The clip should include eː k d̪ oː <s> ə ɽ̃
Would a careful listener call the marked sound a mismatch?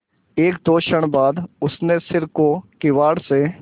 yes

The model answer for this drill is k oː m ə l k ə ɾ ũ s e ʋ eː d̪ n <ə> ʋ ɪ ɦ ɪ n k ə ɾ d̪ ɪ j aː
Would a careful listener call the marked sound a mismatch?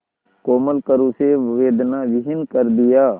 yes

